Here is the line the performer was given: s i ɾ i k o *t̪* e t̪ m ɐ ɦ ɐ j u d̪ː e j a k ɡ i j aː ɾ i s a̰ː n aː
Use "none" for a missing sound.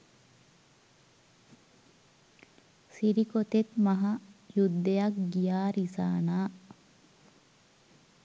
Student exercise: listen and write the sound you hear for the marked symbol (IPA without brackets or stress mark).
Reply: t̪